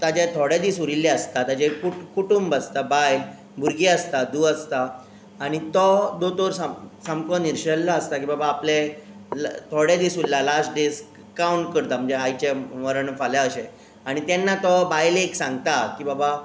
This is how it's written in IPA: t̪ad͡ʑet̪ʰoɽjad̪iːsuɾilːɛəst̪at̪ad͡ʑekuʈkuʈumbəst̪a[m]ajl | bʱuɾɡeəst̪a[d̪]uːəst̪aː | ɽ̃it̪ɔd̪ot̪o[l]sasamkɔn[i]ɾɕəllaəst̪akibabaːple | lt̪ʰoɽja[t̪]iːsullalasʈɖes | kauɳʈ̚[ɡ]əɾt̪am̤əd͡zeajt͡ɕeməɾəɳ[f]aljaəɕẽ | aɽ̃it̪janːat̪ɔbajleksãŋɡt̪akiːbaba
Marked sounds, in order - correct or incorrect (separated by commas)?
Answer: incorrect, correct, incorrect, correct, incorrect, incorrect, correct